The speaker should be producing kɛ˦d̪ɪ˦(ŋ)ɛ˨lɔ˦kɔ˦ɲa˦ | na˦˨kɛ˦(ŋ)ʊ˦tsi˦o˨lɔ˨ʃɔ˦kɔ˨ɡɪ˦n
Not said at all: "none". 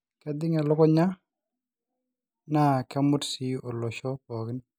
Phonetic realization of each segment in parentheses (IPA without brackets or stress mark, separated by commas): ŋ, m